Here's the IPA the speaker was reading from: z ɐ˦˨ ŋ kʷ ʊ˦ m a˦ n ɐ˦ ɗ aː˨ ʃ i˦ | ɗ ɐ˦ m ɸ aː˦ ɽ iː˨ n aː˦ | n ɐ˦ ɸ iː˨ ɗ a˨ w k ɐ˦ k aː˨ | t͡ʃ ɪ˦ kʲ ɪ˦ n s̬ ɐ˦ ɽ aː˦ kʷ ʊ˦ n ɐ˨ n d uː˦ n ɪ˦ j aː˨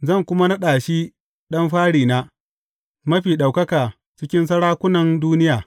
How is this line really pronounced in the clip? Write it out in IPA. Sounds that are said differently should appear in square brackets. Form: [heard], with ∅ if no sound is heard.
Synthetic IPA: z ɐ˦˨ ŋ kʷ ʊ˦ m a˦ n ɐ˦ ɗ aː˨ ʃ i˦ | ɗ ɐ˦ m ɸ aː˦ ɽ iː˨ n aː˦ | [m] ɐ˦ ɸ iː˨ ɗ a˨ w k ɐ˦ k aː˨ | t͡ʃ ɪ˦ kʲ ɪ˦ n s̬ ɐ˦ ɽ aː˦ kʷ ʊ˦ n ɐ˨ n d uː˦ n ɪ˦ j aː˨

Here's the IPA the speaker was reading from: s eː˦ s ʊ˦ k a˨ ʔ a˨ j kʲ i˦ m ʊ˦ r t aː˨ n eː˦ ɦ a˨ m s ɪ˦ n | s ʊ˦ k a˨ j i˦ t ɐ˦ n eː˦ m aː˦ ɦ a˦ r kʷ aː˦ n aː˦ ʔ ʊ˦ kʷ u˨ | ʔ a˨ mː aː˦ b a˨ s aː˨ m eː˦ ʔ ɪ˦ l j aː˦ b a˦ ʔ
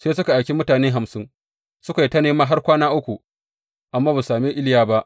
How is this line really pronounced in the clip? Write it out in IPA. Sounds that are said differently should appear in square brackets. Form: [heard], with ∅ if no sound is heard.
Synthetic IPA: s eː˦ s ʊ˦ k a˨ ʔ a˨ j kʲ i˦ m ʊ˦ [∅] t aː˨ n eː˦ ɦ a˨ m s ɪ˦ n | s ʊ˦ k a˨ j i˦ t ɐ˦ n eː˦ m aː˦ ɦ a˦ r kʷ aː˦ n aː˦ ʔ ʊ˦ kʷ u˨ | ʔ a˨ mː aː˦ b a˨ s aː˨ m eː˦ ʔ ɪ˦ l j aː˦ b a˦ ʔ

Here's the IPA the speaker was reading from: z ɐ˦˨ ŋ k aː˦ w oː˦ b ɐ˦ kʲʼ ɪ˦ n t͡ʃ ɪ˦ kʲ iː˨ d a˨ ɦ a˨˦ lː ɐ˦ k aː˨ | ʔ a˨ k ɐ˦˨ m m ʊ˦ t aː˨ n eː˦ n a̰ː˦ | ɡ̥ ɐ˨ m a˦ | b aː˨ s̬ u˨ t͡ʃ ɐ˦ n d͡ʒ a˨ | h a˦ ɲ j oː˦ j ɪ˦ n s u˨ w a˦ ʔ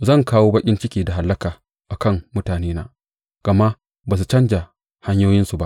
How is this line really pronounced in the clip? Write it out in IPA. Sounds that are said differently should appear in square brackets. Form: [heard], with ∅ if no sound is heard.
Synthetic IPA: z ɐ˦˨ ŋ k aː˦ w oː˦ b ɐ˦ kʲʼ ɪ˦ n t͡ʃ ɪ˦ kʲ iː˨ d a˨ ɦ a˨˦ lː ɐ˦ k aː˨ | ʔ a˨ k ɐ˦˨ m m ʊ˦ t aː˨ n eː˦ n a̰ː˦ | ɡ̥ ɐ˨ m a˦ | b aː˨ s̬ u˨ t͡ʃ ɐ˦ n d͡ʒ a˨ | h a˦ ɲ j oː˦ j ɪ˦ n s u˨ [b] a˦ ʔ

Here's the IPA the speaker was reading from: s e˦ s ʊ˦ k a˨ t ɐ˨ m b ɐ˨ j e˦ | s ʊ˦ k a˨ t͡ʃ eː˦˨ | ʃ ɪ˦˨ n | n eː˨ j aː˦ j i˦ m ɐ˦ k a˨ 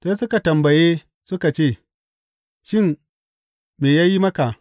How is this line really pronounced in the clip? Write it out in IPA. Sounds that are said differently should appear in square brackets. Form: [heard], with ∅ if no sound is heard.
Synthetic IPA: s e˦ s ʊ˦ k a˨ t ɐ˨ m b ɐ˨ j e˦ | s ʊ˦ k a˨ t͡ʃ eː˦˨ | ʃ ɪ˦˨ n | [m] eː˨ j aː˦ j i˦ m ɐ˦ k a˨

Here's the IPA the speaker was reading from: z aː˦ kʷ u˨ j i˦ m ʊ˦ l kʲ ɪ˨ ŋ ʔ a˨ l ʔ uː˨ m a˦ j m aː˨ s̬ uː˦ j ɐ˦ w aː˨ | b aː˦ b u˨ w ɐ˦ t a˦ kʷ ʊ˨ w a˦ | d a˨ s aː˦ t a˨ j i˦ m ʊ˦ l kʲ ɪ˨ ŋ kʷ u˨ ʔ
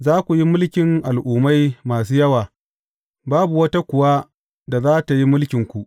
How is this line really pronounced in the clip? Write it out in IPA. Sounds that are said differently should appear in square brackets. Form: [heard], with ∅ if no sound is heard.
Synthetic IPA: z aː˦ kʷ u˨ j i˦ m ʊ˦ l kʲ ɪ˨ ŋ ʔ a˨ l ʔ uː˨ m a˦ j m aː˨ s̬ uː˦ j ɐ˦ w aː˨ | b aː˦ b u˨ w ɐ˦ t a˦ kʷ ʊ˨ w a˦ | d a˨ [z] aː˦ t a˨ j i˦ m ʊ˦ l kʲ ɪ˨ ŋ kʷ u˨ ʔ

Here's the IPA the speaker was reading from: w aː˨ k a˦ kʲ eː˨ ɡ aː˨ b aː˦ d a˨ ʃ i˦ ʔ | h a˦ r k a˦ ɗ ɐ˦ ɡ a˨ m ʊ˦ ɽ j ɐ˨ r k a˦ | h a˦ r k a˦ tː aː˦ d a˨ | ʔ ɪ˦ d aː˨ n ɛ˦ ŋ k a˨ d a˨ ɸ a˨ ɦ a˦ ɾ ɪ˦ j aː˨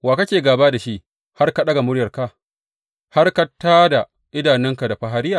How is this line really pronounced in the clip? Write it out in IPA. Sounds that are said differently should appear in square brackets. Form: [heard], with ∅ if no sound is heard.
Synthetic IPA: w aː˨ k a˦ kʲ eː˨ ɡ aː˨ b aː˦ d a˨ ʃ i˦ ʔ | h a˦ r k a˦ ɗ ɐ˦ ɡ a˨ m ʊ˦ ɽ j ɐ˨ r k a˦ | h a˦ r k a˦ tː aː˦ d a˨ | ʔ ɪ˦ d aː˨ n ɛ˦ ŋ k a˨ d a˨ ɸ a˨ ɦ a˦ ɾ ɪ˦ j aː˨

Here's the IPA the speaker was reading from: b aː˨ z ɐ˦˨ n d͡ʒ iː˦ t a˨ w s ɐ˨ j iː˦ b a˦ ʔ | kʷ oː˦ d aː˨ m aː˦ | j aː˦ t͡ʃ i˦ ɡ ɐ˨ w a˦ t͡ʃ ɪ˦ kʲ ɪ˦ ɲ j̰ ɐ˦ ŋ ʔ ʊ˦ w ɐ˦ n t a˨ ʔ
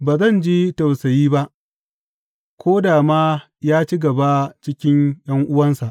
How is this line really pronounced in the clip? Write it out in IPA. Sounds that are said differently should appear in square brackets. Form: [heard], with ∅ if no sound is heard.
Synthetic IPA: b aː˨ z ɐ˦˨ n d͡ʒ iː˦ t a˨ w s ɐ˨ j iː˦ b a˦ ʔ | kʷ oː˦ d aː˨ m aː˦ | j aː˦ t͡ʃ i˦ ɡ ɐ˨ [b] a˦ t͡ʃ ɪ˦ kʲ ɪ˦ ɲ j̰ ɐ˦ ŋ ʔ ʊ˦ w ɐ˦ n [s] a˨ ʔ

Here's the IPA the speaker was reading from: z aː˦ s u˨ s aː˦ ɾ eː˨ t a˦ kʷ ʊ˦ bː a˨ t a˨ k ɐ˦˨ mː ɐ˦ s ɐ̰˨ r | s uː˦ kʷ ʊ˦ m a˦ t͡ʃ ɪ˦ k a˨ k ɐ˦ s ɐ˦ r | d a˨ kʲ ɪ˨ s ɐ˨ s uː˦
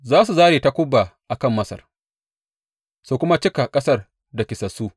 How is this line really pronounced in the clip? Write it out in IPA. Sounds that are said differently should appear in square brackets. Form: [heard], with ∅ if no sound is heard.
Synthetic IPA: z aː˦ s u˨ [z] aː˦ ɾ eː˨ t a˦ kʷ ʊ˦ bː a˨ [ʔ] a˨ k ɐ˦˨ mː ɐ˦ s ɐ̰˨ r | s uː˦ kʷ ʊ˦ m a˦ t͡ʃ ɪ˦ k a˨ [kʼ] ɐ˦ s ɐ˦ r | d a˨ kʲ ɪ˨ s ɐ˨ s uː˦

